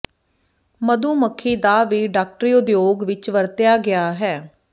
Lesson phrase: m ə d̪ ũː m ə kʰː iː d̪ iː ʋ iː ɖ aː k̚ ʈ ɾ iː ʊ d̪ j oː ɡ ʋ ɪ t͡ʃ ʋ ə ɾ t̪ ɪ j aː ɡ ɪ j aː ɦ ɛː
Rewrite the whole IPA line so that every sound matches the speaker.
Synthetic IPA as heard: m ə d̪ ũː m ə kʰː iː d̪ aː ʋ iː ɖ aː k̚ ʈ ɾ iː ʊ d̪ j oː ɡ ʋ ɪ t͡ʃ ʋ ə ɾ t̪ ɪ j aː ɡ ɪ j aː ɦ ɛː

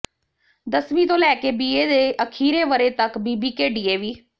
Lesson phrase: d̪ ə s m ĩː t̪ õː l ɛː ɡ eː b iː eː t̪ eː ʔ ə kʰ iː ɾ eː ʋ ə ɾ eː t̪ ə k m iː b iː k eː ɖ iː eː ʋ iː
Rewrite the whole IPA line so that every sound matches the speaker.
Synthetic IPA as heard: d̪ ə s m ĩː t̪ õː l ɛː k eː b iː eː d̪ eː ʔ ə kʰ iː ɾ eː ʋ ə ɾ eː t̪ ə k b iː b iː k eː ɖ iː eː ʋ iː

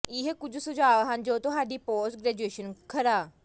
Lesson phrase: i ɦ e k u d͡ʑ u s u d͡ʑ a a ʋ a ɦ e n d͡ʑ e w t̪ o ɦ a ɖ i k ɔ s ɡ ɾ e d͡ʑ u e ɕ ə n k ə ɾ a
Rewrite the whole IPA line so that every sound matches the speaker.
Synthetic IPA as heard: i ɦ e k u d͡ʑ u s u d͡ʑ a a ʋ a ɦ a n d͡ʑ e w t̪ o ɦ a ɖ i p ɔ s ɡ ɾ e d͡ʑ u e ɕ ə n kʰ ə ɾ a

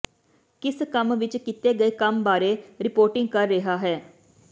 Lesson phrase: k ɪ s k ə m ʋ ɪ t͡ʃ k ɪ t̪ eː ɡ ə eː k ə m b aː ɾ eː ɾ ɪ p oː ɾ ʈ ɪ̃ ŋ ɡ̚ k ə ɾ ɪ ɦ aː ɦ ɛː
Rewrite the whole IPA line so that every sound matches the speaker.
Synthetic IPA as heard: k ɪ s k ə m ʋ ɪ t͡ʃ k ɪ t̪ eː ɡ ə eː k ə m b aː ɾ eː ɾ ɪ p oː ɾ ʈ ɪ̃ ŋ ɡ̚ k ə ɾː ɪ ɦ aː ɦ ɛː

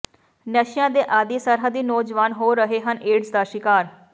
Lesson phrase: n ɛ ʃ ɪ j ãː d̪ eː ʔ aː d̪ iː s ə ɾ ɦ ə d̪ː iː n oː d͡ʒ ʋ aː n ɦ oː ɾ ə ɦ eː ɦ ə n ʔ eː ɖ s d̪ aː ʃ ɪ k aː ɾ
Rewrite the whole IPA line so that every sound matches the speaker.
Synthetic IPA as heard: n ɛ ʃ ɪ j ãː d̪ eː ʔ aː d̪ iː s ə ɾ ɦ ə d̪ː iː n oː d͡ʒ ʋ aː n ɦ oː ɾ ə ɦ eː ɦ ə n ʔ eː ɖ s d̪ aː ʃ ɪ k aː ɾ

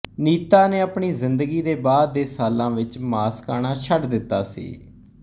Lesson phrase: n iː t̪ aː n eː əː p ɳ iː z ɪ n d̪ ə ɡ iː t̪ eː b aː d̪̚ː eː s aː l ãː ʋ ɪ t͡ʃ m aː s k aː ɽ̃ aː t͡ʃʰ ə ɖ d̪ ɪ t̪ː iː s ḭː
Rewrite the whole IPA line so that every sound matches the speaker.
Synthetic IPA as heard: n iː t̪ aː n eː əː p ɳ iː z ɪ n d̪ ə ɡ iː d̪ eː b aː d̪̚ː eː s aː l ãː ʋ ɪ t͡ʃ m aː s k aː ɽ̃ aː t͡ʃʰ ə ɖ d̪ ɪ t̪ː aː s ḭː

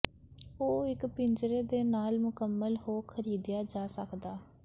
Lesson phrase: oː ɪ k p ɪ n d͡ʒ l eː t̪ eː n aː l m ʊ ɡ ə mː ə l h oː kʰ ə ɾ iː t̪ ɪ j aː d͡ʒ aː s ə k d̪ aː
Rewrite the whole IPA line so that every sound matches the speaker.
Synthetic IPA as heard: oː ɪ k p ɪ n d͡ʒ ɾ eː d̪ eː n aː l m ʊ k ə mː ə l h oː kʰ ə ɾ iː d̪ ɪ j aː d͡ʒ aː s ə k d̪ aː

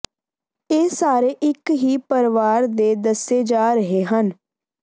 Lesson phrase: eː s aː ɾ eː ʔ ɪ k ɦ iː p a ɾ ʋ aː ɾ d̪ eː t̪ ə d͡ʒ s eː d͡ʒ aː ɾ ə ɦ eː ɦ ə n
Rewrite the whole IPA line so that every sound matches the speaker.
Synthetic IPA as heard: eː s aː ɾ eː ʔ ɪ k ɦ iː p ə ɾ ʋ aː ɾ d̪ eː d̪ ə s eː d͡ʒ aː ɾ ə ɦ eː ɦ ə n

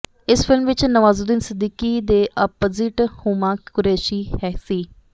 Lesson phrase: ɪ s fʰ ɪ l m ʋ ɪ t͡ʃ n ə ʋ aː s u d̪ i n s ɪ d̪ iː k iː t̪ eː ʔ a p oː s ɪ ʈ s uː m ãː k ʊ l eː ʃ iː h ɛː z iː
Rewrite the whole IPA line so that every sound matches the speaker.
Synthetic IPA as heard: ɪ s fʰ ɪ l m ʋ ɪ t͡ʃ n ə ʋ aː z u d̪ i n s ɪ d̪ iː k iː d̪ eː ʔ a p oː z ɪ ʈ h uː m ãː k ʊ ɾ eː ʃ iː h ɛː s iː

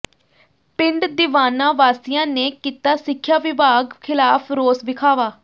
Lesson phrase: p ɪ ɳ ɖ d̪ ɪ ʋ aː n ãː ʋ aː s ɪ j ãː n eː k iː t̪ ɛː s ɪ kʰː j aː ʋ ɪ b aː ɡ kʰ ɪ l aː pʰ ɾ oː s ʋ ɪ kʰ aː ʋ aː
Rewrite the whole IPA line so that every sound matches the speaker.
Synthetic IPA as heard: p ɪ ɳ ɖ d̪ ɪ ʋ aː n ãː ʋ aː s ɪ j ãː n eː k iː t̪ aː s ɪ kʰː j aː ʋ ɪ b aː ɡ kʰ ɪ l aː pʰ ɾ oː s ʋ ɪ kʰ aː ʋ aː

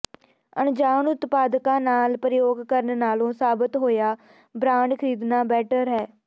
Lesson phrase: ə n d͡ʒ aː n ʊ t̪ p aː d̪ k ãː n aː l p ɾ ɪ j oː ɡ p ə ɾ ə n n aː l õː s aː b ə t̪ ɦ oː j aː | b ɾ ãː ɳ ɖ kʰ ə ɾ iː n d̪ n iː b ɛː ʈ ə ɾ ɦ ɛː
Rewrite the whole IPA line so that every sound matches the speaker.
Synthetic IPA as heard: ə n d͡ʒ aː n ʊ t̪ p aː d̪ k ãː n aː l p ɾ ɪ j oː ɡ k ə ɾ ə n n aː l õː s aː b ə t̪ ɦ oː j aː | b ɾ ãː ɳ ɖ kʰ ə ɾ iː d̪ n aː b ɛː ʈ ə ɾ ɦ ɛː

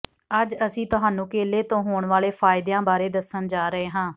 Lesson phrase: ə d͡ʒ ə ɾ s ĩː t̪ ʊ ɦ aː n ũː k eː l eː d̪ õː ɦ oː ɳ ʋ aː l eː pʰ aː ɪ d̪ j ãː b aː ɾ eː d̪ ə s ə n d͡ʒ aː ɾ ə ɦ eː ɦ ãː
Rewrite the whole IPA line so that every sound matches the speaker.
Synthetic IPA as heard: ə d͡ʒ ə s ĩː t̪ ʊ ɦ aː n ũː k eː l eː t̪ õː ɦ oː ɳ ʋ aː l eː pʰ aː ɪ d̪ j ãː b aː ɾ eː d̪ ə s ə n d͡ʒ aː ɾ ə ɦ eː ɦ ãː

